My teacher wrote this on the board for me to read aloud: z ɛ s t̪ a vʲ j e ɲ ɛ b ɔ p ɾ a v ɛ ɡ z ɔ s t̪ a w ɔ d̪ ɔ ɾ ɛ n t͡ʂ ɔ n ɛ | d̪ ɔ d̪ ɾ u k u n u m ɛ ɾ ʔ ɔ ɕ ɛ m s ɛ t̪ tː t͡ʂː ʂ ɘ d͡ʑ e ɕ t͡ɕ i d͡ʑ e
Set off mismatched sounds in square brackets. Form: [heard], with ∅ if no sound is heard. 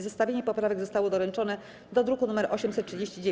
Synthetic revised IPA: z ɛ s t̪ a vʲ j e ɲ ɛ [p] ɔ p ɾ a v ɛ ɡ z ɔ s t̪ a w ɔ d̪ ɔ ɾ ɛ n t͡ʂ ɔ n ɛ | d̪ ɔ d̪ ɾ u k u n u m ɛ ɾ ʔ ɔ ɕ ɛ m s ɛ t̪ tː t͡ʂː ʂ ɘ d͡ʑ e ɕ t͡ɕ i d͡ʑ e